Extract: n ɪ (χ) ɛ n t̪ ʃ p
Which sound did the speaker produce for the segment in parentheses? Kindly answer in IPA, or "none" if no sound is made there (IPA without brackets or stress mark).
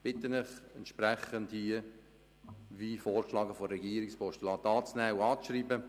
χ